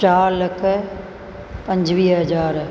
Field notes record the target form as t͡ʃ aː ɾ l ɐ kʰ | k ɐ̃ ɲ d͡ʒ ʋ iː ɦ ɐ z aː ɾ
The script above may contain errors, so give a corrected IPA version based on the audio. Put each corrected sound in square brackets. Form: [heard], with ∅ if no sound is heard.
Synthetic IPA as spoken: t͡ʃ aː ɾ l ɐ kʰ | [p] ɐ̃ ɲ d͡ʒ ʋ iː ɦ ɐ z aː ɾ